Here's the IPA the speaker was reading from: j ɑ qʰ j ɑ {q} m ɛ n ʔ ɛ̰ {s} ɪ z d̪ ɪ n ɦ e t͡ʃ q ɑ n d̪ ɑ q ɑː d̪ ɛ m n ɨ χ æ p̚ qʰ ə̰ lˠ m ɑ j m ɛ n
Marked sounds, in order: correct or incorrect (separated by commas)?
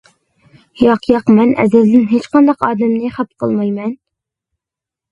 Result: correct, incorrect